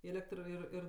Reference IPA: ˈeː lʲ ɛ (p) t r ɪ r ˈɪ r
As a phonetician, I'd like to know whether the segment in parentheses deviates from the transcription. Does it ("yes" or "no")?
yes